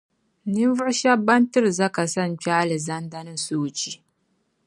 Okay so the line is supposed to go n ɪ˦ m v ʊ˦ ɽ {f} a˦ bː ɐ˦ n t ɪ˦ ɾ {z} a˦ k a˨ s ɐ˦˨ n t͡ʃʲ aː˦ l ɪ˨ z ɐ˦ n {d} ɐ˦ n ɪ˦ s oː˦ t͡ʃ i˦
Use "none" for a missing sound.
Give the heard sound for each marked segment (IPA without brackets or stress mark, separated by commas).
ʃ, z, d